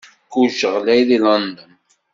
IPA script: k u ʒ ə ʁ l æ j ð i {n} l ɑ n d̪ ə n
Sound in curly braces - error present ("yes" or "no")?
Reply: yes